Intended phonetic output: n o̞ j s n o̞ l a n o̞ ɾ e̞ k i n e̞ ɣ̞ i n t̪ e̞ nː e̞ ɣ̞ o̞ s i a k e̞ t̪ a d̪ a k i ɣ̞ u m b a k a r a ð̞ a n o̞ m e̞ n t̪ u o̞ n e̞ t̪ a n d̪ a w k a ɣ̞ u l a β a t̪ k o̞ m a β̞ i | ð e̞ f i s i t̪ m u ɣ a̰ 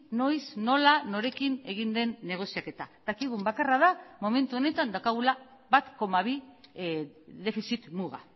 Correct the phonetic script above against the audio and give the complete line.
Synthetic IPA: n o̞ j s n o̞ l a n o̞ ɾ e̞ k i n e̞ ɣ̞ i n d̪ e̞ nː e̞ ɣ̞ o̞ s i a k e̞ t̪ a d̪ a k i ɣ̞ u m b a k a r a ð̞ a m o̞ m e̞ n t̪ u o̞ n e̞ t̪ a n d̪ a w k a ɣ̞ u l a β a t̪ k o̞ m a β̞ i | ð e̞ f i s i t̪ m u ɣ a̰